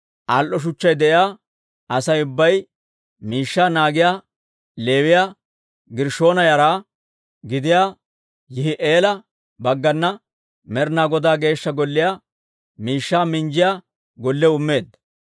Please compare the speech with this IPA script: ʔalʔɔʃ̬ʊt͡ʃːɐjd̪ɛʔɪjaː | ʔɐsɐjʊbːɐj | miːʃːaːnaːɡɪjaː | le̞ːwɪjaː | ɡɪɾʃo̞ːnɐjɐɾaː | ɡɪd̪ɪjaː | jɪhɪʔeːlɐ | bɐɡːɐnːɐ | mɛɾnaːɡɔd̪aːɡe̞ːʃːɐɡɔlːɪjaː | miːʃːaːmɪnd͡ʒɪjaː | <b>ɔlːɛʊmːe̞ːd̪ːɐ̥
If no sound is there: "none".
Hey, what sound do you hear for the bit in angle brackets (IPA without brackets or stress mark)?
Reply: ɡ